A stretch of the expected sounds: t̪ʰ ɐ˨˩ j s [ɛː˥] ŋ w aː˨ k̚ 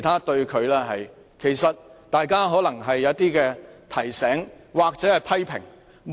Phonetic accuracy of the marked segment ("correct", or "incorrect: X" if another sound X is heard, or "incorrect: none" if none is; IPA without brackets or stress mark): incorrect: ɛː˨˥